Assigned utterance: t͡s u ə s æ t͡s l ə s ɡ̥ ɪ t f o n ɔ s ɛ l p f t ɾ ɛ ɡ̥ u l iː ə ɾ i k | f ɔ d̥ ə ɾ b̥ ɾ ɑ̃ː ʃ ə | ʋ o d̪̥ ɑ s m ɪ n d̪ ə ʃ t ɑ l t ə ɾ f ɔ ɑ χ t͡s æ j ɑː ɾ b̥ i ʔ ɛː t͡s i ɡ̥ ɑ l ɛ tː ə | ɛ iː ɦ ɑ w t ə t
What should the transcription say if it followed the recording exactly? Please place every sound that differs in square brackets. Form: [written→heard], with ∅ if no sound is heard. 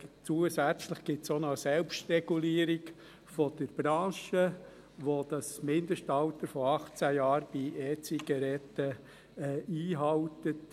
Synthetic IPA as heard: t͡s u ə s æ t͡s l ə [s→χ] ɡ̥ ɪ t [f→s] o n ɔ s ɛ l p [f→ʃ] t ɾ ɛ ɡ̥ u l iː ə ɾ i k | f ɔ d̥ ə ɾ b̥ ɾ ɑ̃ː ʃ ə | ʋ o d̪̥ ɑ s m ɪ n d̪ ə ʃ t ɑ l t ə ɾ f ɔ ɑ χ t͡s æ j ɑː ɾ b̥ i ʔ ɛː t͡s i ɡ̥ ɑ [l→ɾ] ɛ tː ə | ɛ iː ɦ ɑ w t ə t